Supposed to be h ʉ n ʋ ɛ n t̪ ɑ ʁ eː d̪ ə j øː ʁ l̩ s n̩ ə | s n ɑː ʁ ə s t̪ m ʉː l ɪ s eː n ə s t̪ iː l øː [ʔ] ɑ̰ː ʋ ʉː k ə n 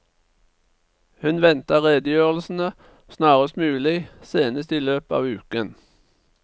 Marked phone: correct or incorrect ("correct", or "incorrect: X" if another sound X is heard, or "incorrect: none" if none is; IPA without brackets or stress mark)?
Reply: incorrect: p